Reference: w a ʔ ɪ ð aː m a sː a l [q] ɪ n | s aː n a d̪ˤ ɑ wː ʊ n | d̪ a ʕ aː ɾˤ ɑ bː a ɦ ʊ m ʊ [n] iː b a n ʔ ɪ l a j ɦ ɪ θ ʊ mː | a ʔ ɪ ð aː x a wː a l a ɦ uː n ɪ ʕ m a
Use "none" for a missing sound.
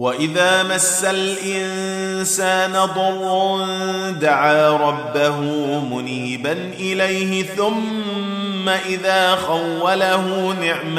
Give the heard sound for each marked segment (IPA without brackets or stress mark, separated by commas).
ʔ, n